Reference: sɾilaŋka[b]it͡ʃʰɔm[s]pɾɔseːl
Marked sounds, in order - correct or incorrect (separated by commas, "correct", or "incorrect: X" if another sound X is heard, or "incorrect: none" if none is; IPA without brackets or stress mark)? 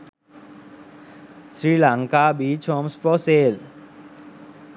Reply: correct, correct